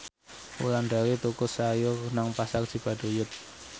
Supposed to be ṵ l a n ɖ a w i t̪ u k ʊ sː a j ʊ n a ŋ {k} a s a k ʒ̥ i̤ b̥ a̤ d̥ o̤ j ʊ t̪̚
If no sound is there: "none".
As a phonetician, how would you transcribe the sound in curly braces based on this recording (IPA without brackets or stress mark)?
p